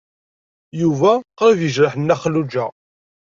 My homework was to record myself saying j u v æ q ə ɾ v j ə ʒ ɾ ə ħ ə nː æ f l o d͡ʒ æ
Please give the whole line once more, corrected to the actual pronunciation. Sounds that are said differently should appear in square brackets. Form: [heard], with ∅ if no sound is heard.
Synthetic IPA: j u v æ q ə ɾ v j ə ʒ ɾ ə ħ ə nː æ [χ] l [u] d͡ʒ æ

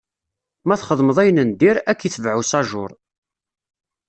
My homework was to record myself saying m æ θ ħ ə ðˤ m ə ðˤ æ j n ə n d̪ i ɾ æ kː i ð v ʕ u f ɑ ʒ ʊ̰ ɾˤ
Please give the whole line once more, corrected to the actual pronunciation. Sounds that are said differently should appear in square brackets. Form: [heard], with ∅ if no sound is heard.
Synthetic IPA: m æ θ [χ] ə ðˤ m ə ðˤ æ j n ə n d̪ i ɾ æ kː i [θ] v ʕ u [s] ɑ ʒ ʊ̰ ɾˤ

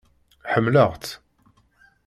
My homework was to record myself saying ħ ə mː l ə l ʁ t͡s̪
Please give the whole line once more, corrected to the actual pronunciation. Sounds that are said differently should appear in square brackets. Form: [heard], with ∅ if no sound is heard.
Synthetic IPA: ħ ə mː l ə [∅] ʁ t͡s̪

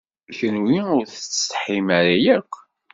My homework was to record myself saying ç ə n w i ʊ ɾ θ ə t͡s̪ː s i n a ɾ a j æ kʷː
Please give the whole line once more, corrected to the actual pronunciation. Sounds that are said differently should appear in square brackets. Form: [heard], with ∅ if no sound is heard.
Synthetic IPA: ç ə n w i ʊ ɾ θ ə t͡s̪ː [ħ] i [m] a ɾ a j æ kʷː

